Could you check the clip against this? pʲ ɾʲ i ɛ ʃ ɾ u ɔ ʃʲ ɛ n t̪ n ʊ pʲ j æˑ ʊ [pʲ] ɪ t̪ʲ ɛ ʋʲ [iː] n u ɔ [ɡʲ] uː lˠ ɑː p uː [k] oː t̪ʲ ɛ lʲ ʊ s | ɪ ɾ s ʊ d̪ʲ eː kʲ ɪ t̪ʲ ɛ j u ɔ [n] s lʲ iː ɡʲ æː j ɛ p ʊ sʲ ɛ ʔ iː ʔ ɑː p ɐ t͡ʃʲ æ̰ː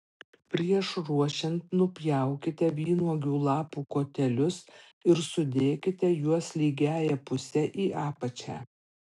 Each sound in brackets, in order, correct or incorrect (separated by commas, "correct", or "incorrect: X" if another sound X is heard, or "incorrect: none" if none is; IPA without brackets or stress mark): incorrect: kʲ, correct, correct, correct, incorrect: none